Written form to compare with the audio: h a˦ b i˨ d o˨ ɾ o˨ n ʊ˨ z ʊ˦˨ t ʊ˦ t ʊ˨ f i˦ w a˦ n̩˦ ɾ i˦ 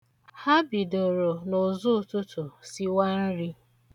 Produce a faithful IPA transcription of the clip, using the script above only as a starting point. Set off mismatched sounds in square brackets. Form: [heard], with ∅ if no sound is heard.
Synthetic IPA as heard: h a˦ b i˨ d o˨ ɾ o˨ n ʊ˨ z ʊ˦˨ t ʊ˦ t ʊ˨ [s] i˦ w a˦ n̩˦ ɾ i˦